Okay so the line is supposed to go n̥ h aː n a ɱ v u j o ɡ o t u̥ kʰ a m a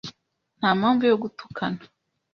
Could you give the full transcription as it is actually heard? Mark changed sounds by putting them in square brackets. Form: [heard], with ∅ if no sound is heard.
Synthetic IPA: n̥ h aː [m] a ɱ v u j o ɡ [u] t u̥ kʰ a [n] a

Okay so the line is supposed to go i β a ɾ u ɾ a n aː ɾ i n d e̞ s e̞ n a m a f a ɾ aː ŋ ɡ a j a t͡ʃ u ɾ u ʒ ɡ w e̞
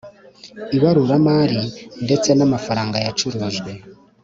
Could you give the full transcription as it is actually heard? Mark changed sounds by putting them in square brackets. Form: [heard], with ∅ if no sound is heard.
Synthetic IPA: i β a ɾ u ɾ a [m] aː ɾ i n d e̞ [t͡s] e̞ n a m a f a ɾ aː ŋ ɡ a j a t͡ʃ u ɾ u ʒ ɡ w e̞

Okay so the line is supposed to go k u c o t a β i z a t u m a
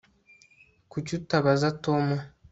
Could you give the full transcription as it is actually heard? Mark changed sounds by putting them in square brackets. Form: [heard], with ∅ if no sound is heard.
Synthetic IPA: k u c [u] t a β [a] z a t [o] m a

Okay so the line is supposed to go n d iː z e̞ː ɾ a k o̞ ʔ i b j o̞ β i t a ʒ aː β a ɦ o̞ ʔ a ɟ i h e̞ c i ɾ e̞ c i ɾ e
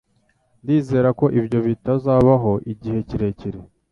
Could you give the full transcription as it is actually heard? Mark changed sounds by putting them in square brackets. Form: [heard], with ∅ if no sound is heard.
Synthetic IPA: n d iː z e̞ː ɾ a k o̞ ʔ i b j o̞ β i t a [z] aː β a ɦ o̞ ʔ [i] ɟ i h e̞ c i ɾ e̞ c i ɾ e

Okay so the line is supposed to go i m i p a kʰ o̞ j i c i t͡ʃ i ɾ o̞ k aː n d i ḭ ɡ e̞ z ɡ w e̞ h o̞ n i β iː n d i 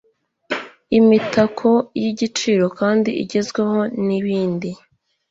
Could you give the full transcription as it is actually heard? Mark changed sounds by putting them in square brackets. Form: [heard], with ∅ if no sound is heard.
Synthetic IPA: i m i [t] a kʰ o̞ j i [ɟ] i t͡ʃ i ɾ o̞ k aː n d i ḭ [ɟ] e̞ z ɡ w e̞ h o̞ n i β iː n d i

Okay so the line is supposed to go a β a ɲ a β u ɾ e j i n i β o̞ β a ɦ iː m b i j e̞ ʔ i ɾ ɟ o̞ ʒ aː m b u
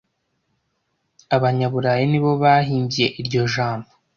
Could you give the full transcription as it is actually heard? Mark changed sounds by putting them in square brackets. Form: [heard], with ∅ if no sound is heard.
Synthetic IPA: a β a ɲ a β u ɾ [a] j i n i β o̞ β a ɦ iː m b i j e̞ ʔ i ɾ ɟ o̞ ʒ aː m b [o]

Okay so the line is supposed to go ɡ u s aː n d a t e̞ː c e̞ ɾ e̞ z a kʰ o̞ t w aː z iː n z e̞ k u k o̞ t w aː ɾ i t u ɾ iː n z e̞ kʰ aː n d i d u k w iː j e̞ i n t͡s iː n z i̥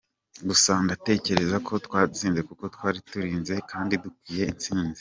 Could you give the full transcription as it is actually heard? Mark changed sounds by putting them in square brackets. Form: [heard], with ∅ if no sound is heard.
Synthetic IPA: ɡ u s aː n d a t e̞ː c e̞ ɾ e̞ z a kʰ o̞ t w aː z iː n z e̞ k u k o̞ t w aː ɾ i t u ɾ iː n z e̞ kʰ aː n d i d u k w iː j e̞ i n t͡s iː n z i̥

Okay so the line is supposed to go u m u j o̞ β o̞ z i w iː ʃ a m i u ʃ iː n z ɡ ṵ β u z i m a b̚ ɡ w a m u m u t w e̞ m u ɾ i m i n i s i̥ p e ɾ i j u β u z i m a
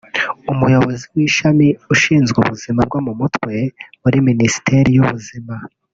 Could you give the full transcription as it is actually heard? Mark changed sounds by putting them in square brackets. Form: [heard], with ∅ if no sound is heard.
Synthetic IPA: u m u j o̞ β o̞ z i w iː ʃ a m i u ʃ iː n z ɡ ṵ β u z i m a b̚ ɡ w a m u m u t w e̞ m u ɾ i m i n i s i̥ [t] e ɾ i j u β u z i m a

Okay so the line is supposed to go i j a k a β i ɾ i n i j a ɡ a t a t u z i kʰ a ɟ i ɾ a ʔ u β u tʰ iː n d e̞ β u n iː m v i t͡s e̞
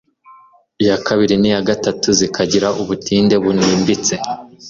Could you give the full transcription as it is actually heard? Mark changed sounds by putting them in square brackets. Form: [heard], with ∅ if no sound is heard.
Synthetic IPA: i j a k a β i ɾ i n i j a ɡ a t a t u z i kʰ a ɟ i ɾ a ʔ u β u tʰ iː n d e̞ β u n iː m [b] i t͡s e̞

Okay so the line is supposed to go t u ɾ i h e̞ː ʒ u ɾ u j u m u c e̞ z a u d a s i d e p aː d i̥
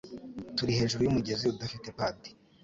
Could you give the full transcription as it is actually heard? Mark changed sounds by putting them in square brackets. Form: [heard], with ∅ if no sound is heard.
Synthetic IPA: t u ɾ i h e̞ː ʒ u ɾ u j u m u [ɟ] e̞ z [i] u d a [f] i [t] e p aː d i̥

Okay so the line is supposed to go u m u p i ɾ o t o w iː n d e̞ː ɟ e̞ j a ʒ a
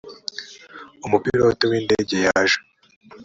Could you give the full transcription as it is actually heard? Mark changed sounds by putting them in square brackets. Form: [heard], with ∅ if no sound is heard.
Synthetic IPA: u m u p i ɾ o t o w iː n d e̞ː ɟ e̞ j a ʒ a

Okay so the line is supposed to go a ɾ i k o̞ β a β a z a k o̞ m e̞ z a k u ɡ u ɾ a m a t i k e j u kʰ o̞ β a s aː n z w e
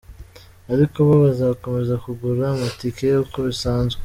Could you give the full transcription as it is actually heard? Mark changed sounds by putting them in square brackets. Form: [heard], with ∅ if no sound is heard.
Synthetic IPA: a ɾ i k o̞ β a β a z a k o̞ m e̞ z a k u ɡ u ɾ a m a t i k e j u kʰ o̞ β [i] s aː n z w e

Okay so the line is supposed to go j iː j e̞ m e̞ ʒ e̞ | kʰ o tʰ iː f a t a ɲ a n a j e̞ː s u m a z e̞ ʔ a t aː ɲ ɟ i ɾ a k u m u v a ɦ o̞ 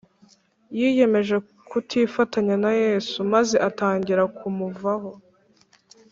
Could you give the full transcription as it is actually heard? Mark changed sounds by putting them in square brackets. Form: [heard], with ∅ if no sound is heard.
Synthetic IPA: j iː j e̞ m e̞ ʒ e̞ | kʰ [u] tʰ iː f a t a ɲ a n a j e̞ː s u m a z e̞ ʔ a t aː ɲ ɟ i ɾ a k u m u v a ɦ o̞

